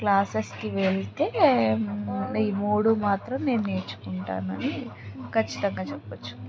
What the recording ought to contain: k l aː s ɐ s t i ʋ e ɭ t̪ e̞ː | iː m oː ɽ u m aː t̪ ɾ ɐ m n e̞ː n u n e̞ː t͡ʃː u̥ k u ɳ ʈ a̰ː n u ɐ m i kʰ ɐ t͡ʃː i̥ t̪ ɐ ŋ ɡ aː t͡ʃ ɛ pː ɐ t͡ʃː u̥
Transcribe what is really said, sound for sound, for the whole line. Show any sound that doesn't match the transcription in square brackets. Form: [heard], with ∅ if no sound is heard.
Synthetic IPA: k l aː s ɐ s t i ʋ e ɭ t̪ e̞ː | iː m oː ɽ u m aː t̪ ɾ ɐ m n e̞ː n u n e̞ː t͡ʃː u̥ k u ɳ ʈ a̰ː n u ɐ [n] i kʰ ɐ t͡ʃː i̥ t̪ ɐ ŋ ɡ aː t͡ʃ ɛ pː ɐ t͡ʃː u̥